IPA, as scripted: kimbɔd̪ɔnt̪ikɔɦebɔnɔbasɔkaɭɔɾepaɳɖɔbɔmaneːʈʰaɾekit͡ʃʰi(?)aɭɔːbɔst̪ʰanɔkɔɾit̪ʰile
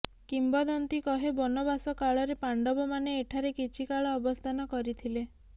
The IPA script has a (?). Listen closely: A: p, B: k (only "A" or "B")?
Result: B